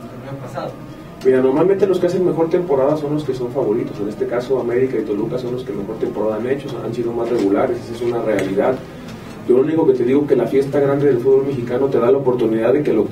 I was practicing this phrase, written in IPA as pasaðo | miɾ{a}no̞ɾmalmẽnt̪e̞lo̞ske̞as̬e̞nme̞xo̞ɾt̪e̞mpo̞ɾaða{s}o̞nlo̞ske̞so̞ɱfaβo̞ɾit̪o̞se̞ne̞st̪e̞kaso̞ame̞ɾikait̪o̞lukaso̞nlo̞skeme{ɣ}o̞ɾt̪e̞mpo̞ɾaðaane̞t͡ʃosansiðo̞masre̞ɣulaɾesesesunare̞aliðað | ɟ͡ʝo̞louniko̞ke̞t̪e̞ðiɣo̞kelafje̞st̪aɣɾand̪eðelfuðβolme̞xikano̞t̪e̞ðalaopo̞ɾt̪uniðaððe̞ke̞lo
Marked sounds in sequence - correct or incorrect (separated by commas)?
correct, correct, incorrect